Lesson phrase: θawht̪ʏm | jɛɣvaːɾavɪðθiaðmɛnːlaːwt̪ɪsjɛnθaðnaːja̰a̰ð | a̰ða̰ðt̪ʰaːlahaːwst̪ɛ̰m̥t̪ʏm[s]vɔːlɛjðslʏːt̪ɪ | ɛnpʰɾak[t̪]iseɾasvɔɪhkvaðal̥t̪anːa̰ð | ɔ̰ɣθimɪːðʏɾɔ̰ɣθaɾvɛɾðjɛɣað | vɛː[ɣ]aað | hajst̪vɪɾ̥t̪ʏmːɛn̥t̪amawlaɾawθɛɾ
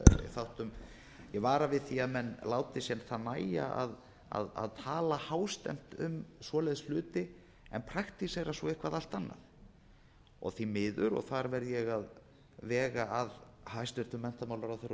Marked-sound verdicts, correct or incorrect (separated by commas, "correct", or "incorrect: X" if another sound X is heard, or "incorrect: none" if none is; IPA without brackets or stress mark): correct, correct, correct